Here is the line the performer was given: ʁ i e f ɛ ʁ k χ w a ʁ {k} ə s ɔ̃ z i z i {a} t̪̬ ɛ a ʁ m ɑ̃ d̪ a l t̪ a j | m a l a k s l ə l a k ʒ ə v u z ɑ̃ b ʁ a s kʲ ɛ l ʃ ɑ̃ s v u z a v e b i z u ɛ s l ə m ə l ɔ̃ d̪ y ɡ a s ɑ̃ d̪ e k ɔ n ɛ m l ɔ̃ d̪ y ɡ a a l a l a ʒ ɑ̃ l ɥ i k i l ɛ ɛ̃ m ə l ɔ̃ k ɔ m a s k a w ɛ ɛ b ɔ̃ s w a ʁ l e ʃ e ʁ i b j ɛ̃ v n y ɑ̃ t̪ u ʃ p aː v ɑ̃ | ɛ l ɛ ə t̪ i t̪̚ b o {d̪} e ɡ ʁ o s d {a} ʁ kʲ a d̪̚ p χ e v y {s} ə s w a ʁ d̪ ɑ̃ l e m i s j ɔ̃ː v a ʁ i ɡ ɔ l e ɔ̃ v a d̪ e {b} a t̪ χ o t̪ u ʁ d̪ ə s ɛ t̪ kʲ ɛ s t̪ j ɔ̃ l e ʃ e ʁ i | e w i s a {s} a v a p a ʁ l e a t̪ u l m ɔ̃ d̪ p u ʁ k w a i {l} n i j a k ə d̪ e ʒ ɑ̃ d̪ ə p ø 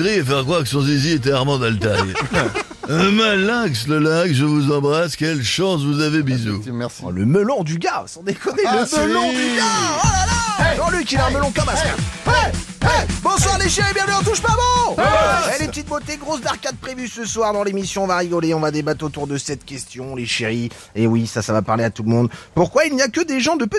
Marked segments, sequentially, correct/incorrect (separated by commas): correct, incorrect, incorrect, correct, correct, correct, correct, correct